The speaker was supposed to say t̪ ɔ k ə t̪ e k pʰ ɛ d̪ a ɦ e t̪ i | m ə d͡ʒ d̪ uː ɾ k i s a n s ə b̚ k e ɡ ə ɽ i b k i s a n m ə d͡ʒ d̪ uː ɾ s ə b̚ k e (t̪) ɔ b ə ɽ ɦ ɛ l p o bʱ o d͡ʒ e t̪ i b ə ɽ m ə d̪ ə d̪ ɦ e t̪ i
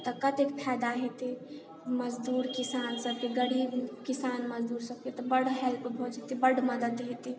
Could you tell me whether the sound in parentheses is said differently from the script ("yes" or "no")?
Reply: no